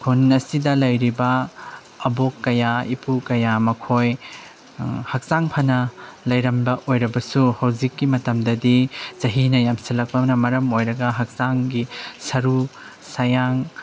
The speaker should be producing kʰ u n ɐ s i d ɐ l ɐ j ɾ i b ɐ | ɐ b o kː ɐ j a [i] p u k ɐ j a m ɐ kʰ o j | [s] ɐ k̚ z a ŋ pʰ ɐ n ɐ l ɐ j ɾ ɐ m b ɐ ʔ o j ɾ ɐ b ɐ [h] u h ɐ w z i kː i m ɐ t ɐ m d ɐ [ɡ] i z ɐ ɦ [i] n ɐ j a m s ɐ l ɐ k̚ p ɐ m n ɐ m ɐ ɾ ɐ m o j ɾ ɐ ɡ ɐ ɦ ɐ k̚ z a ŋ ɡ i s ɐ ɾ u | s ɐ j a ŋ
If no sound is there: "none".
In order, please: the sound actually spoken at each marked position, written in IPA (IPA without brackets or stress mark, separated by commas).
i, h, s, d, i